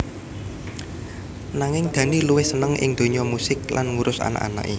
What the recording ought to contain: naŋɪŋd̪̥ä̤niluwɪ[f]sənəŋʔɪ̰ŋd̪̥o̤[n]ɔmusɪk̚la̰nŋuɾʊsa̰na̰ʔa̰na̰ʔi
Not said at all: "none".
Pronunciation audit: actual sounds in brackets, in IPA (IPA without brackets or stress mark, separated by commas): h, ɲ